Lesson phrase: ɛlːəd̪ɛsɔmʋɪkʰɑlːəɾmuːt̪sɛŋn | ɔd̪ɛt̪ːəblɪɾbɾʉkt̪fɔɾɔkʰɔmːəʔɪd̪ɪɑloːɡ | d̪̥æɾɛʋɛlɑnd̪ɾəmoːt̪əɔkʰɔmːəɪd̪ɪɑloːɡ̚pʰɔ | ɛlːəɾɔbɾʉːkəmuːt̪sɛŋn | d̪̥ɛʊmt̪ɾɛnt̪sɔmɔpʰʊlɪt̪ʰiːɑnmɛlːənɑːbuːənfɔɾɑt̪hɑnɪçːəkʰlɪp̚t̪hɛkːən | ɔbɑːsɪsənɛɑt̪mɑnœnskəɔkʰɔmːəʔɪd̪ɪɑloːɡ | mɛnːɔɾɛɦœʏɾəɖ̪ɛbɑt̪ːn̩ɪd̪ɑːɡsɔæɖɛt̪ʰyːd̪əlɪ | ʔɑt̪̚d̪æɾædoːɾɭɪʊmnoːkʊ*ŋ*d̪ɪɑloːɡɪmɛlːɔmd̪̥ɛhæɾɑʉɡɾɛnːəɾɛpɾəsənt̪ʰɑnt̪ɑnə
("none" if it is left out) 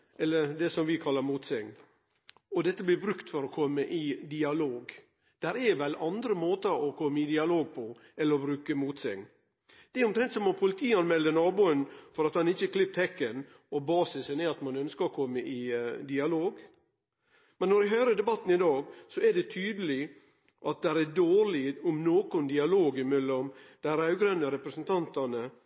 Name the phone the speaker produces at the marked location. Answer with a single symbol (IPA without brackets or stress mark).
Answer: n